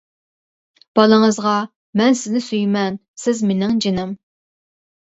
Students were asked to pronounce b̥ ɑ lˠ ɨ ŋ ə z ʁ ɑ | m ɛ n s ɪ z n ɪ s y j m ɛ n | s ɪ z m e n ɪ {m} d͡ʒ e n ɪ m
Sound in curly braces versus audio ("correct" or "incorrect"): incorrect